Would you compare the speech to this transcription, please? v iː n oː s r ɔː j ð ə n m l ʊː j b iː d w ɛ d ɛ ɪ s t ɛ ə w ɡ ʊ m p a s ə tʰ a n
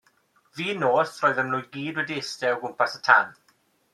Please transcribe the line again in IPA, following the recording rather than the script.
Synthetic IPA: v iː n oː s r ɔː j ð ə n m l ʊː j ɡ iː d w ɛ d i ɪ s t ɛ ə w ɡ ʊ m p a s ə tʰ a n